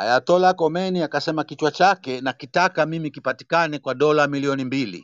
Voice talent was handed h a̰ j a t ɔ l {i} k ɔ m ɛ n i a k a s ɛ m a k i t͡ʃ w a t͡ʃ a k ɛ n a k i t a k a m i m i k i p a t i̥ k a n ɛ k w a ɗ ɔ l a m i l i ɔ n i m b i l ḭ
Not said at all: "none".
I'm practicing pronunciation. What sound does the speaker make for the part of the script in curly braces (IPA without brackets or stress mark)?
a